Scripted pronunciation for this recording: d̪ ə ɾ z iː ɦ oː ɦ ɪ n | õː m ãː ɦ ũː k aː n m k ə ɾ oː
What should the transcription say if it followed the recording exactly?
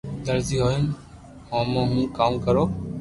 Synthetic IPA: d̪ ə ɾ z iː ɦ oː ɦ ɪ n | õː m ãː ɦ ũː k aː m k ə ɾ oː